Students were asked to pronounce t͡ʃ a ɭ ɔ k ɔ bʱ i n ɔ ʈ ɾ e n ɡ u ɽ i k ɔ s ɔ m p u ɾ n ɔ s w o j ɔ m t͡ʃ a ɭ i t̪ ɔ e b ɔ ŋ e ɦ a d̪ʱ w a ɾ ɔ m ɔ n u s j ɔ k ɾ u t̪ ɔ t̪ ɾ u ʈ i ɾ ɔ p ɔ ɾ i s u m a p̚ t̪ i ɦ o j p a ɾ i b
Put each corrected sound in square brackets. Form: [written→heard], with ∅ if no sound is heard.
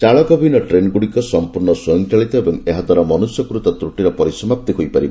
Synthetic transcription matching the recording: t͡ʃ a ɭ ɔ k ɔ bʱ i n ɔ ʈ ɾ e n ɡ u ɽ i k ɔ s ɔ m p u ɾ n ɔ s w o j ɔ [m→ŋ] t͡ʃ a ɭ i t̪ ɔ e b ɔ ŋ e ɦ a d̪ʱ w a ɾ ɔ m ɔ n u s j ɔ k ɾ u t̪ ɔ t̪ ɾ u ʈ i ɾ ɔ p ɔ ɾ i s [u→ɔ] m a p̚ t̪ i ɦ o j p a ɾ i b